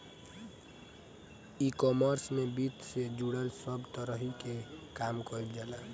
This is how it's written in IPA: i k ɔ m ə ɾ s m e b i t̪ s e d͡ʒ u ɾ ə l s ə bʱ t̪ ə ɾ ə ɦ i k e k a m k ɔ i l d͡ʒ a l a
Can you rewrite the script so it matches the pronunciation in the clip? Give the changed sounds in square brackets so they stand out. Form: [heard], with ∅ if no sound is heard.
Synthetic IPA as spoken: i k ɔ m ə ɾ s m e b i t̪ s e d͡ʒ u [ɽ] ə l s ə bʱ t̪ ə ɾ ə ɦ i k e k a m k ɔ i l d͡ʒ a l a